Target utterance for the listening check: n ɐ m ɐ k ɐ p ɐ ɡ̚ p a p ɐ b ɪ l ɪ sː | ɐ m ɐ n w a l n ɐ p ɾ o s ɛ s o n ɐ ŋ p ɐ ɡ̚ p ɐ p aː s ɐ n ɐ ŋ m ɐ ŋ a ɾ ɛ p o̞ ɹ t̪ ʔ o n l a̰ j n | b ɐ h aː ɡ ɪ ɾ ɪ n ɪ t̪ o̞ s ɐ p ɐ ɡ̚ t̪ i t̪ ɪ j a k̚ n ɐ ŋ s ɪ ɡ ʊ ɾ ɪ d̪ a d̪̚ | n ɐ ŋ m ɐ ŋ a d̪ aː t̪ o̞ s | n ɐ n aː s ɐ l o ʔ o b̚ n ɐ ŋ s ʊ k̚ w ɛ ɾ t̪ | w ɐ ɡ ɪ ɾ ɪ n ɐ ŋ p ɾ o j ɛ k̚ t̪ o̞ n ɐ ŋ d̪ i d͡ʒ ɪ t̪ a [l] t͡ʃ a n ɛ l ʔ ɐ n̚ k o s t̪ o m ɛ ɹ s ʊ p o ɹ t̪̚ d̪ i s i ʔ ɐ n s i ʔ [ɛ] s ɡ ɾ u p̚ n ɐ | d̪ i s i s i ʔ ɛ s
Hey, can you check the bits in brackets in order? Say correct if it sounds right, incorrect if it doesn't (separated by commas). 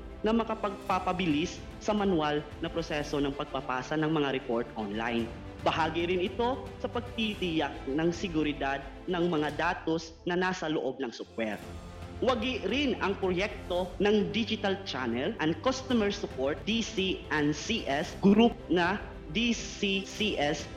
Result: correct, correct